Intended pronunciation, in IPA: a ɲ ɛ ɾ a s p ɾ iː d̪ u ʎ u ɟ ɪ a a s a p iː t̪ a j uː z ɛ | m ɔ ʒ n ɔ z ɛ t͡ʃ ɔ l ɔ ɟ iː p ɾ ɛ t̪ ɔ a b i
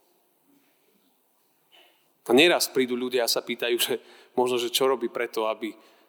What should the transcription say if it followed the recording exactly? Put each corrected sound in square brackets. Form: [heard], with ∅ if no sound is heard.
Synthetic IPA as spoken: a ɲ ɛ ɾ a s p ɾ iː d̪ u ʎ u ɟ ɪ a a s a p iː t̪ a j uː [ʒ] ɛ | m ɔ ʒ n ɔ [ʒ] ɛ t͡ʃ ɔ [ɾ] ɔ [b] iː p ɾ ɛ t̪ ɔ a b i